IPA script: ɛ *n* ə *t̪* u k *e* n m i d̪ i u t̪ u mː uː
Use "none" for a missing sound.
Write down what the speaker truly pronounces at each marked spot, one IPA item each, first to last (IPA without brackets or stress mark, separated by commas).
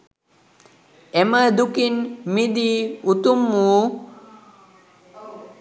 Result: m, d̪, i